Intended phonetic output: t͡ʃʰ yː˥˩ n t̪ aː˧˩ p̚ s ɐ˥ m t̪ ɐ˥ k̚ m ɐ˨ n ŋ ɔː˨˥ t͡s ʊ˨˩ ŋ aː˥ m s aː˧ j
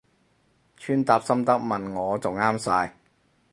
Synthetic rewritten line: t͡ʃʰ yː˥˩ n t̪ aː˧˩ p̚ s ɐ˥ m t̪ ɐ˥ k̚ m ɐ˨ n ŋ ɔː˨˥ t͡s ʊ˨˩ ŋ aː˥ m s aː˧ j